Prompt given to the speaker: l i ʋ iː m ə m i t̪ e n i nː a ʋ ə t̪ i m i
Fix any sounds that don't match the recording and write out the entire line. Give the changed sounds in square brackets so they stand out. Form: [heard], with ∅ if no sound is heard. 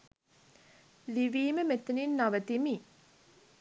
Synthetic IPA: l i ʋ iː m ə m [e] t̪ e n i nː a ʋ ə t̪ i m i